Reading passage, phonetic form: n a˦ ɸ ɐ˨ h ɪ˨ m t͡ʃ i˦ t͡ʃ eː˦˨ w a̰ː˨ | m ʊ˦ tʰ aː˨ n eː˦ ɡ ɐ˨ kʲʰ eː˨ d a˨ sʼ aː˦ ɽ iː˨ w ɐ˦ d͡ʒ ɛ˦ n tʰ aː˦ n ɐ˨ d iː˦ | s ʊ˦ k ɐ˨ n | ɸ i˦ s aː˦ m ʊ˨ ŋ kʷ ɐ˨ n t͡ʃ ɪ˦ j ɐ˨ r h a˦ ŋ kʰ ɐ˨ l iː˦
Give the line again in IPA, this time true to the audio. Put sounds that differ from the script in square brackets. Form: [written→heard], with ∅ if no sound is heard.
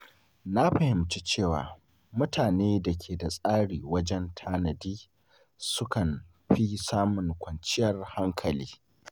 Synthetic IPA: n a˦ ɸ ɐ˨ h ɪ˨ m t͡ʃ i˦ t͡ʃ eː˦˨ w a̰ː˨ | m ʊ˦ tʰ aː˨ n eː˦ [ɡ→d] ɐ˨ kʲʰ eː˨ d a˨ sʼ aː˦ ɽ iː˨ w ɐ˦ d͡ʒ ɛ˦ n tʰ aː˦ n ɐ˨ d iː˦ | s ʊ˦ k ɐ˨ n | ɸ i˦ s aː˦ m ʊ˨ ŋ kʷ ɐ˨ n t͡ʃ ɪ˦ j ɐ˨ r h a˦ ŋ kʰ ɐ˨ l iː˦